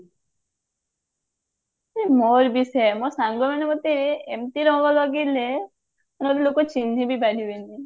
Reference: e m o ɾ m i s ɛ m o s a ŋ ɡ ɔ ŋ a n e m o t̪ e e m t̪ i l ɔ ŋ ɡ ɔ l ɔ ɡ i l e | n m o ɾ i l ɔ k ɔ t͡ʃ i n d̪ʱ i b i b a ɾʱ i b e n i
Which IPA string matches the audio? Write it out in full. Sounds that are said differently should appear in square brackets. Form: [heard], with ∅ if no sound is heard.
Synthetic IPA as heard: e m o ɾ [b] i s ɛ m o s a ŋ ɡ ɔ [m] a n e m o t̪ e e m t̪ i [ɾ] ɔ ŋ ɡ ɔ l ɔ ɡ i l e | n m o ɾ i l [o] k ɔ t͡ʃ i n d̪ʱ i b i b a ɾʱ i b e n i